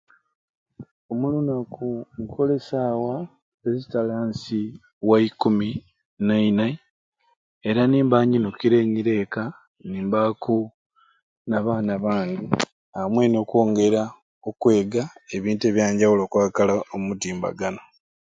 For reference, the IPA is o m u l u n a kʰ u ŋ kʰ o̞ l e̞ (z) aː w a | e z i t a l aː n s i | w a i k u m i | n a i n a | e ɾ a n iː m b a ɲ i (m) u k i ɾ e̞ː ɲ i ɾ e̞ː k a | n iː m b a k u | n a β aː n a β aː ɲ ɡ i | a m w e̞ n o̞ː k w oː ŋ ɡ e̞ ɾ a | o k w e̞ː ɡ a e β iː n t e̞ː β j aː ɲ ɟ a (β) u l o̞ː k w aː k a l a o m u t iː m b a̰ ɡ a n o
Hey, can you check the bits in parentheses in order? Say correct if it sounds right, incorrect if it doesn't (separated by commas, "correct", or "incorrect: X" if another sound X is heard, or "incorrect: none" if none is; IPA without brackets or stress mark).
incorrect: s, incorrect: n, incorrect: w